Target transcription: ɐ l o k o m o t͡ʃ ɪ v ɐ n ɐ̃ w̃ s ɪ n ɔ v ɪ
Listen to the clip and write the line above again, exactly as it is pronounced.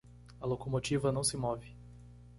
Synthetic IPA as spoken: ɐ l o k o m o t͡ʃ i v ɐ n ɐ̃ w̃ s ɪ m ɔ v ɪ